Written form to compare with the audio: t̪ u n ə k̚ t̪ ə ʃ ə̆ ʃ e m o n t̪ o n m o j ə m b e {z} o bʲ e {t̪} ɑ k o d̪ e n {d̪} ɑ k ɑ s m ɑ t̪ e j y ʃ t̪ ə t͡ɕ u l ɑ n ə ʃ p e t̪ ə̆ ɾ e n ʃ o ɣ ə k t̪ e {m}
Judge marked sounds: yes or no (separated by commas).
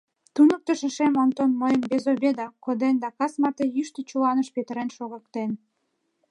yes, no, yes, no